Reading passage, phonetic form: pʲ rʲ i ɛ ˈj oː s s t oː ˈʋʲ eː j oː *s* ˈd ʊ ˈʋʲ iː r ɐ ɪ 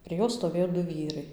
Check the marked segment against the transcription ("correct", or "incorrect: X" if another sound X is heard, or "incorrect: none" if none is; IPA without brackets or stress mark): incorrect: none